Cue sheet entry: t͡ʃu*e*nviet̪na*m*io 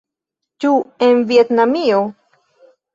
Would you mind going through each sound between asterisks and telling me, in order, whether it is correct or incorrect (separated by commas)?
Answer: correct, correct